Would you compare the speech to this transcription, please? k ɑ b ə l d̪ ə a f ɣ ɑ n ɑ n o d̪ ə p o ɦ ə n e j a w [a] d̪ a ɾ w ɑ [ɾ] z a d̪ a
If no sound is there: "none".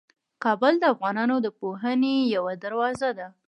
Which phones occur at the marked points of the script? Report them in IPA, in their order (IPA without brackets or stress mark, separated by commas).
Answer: a, none